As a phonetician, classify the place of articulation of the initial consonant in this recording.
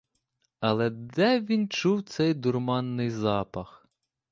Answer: alveolar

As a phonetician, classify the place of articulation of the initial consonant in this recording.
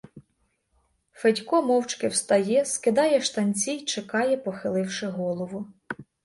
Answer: labial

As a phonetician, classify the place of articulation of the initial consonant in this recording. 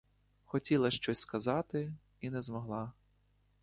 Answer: velar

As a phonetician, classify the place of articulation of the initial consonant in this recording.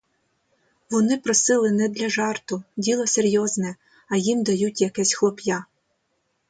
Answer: labial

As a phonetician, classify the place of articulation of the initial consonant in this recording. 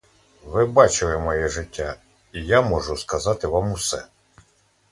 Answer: labial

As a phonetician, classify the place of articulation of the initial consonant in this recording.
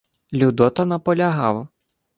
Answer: alveolar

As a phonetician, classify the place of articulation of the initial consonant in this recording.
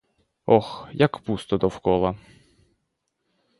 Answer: velar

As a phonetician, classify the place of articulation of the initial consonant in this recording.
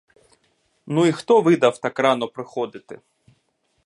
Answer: alveolar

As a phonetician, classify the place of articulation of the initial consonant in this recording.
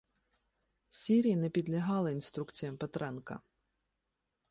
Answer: alveolar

